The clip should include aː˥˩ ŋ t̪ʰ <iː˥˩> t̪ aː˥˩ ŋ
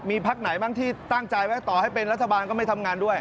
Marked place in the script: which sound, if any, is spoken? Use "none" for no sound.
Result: iː˥˩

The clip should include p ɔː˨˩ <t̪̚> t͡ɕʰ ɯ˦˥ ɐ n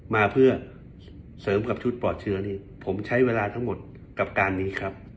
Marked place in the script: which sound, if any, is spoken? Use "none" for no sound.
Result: t̪̚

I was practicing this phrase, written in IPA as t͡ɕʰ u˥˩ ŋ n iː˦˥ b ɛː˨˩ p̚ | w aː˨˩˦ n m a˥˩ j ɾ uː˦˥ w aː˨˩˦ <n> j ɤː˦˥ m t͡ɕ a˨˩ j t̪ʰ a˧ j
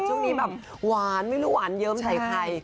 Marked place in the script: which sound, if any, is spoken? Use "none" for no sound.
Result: n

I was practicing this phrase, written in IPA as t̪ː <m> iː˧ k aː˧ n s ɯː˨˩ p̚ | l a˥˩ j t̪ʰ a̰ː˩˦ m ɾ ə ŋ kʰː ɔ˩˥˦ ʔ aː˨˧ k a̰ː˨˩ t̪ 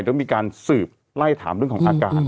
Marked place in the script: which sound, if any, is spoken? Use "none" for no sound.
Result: m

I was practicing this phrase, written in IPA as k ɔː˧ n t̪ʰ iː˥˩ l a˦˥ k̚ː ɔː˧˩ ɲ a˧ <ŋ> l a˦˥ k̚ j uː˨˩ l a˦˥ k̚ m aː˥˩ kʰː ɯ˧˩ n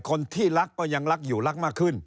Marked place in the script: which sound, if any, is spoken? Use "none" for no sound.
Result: ŋ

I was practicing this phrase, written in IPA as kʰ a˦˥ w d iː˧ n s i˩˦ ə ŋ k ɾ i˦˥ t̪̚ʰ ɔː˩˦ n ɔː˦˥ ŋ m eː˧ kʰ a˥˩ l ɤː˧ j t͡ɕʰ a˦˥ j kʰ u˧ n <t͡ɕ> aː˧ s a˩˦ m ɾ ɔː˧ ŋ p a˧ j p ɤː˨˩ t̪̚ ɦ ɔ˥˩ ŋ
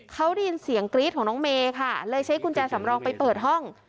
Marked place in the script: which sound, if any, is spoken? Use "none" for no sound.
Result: t͡ɕ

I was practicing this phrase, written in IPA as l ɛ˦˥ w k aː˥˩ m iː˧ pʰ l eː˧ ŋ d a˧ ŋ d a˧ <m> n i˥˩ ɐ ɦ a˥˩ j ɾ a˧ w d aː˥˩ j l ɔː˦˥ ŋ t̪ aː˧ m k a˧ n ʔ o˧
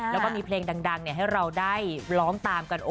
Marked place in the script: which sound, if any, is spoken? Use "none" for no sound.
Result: ŋ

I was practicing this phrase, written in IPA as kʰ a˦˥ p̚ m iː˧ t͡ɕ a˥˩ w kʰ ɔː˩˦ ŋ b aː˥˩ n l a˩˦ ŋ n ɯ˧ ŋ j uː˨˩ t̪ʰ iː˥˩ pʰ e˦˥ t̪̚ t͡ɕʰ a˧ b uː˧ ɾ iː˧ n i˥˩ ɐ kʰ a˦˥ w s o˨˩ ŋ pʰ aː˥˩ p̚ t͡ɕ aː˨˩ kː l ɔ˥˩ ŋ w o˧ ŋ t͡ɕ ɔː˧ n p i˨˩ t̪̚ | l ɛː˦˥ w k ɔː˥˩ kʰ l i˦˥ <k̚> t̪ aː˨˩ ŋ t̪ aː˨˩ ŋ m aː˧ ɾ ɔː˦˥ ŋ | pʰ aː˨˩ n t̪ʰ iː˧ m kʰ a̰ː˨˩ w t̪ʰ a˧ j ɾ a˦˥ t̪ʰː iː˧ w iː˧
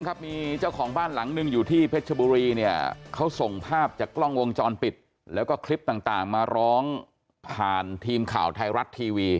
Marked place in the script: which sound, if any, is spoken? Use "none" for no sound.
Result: p̚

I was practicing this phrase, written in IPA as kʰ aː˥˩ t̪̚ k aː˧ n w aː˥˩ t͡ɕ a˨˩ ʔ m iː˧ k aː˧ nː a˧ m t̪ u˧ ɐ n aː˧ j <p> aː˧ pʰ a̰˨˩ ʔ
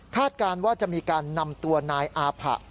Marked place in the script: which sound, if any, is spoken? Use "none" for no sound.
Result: ʔ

